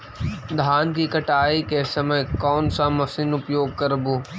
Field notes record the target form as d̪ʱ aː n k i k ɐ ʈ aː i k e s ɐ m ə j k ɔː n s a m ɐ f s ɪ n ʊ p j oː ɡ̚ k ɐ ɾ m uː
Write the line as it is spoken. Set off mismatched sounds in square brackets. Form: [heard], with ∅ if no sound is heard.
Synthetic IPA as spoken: d̪ʱ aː n k i k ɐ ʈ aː i k e s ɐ m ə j k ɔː n s a m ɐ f s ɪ n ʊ p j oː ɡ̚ k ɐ ɾ [b] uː